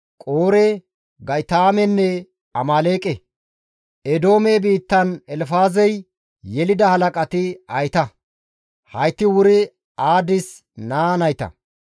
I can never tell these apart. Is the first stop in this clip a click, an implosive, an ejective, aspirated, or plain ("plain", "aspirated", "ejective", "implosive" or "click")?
ejective